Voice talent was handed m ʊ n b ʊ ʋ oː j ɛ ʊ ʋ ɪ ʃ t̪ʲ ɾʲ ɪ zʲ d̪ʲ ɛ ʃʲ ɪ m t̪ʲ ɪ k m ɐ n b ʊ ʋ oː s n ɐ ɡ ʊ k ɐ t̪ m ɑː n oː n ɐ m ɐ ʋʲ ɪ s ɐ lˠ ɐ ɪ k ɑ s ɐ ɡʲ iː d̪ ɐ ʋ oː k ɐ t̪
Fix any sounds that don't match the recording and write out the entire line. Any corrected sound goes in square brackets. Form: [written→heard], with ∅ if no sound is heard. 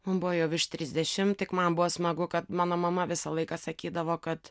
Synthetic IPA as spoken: m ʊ n b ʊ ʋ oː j ɛ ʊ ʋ ɪ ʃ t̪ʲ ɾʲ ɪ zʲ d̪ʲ ɛ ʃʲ ɪ m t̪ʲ ɪ k m ɐ n b ʊ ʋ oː s [n→m] ɐ ɡ ʊ k ɐ t̪ m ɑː n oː [n→m] ɐ m ɐ ʋʲ ɪ s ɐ lˠ ɐ ɪ k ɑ s ɐ [ɡʲ→kʲ] iː d̪ ɐ ʋ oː k ɐ t̪